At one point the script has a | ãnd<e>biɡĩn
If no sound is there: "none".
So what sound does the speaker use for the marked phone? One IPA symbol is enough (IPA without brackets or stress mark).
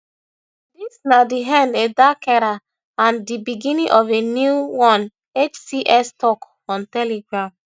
i